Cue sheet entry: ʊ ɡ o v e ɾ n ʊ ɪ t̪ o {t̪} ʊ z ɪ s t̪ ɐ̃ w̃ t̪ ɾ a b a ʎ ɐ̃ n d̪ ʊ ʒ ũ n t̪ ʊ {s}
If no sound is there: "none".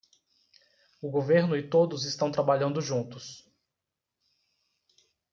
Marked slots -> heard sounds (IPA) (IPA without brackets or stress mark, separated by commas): d̪, s